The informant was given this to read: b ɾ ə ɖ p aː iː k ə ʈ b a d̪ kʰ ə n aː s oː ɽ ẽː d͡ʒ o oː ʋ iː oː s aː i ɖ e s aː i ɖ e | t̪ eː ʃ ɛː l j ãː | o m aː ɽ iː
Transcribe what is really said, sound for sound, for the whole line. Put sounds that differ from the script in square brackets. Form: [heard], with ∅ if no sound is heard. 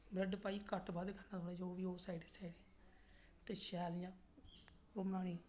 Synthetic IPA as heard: b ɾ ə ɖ p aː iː k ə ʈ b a d̪ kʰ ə n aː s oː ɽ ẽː d͡ʒ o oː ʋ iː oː s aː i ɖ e s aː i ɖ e | t̪ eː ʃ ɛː l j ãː | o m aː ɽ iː